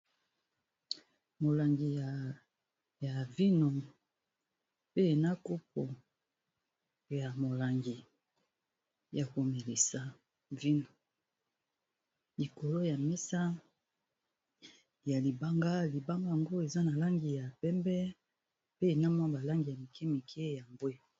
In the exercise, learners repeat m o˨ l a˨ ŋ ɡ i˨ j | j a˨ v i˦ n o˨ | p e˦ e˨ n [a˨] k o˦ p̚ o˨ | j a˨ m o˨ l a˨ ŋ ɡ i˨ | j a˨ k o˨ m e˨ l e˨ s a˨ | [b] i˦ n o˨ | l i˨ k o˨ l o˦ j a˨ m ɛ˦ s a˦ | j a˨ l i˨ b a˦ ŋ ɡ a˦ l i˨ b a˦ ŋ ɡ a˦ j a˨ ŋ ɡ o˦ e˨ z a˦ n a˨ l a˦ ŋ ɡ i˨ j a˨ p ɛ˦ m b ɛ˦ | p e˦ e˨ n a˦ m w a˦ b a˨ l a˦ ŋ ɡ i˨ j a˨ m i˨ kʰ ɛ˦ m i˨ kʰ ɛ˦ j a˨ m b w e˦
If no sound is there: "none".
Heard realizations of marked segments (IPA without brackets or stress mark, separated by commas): a˦, v